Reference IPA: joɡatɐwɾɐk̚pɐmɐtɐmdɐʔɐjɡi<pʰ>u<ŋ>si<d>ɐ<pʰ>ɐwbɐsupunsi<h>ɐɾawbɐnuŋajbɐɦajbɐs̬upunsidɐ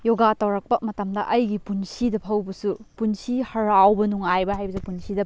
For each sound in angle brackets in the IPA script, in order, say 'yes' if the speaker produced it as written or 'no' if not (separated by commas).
no, no, yes, yes, yes